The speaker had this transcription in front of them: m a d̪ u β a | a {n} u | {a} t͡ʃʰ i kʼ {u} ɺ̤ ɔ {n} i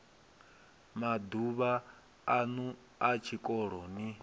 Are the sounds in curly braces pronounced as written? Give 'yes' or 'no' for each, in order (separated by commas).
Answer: yes, yes, no, yes